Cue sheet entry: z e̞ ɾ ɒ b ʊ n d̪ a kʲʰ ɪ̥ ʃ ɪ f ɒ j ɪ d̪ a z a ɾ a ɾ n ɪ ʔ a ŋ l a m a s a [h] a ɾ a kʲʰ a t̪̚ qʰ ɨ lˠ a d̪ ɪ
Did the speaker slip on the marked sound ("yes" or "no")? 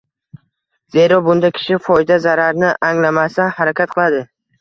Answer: no